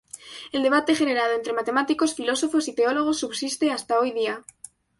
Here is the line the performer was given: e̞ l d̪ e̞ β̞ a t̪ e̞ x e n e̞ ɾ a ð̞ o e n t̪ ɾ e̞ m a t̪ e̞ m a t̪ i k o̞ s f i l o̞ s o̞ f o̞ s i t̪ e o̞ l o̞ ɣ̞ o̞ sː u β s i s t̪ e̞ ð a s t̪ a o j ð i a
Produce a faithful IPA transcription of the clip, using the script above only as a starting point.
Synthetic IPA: e̞ l d̪ e̞ β̞ a t̪ e̞ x e n e̞ ɾ a ð̞ o e n t̪ ɾ e̞ m a t̪ e̞ m a t̪ i k o̞ s f i l o̞ s o̞ f o̞ s i t̪ e o̞ l o̞ ɣ̞ o̞ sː u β s i s t̪ e̞ a s t̪ a o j ð i a